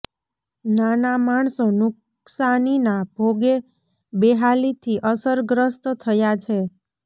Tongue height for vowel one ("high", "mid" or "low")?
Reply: low